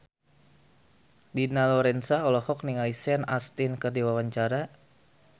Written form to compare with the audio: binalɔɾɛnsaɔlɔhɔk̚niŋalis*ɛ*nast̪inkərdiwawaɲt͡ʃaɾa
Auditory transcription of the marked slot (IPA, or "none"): ɛ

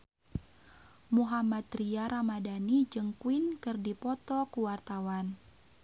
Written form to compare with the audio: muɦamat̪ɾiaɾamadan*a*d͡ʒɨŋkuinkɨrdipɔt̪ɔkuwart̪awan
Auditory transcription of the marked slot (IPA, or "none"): i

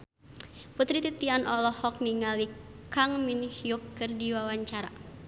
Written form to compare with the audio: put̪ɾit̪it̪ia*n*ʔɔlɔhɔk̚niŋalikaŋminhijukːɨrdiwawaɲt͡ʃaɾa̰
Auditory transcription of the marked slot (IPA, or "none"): n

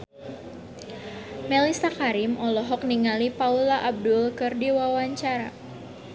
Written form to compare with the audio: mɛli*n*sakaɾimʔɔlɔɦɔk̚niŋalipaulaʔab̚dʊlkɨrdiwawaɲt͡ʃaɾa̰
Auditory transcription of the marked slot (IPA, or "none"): none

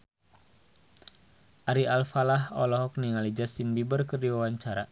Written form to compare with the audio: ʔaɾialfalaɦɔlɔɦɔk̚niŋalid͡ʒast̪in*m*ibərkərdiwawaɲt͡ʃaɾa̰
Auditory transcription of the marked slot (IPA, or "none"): b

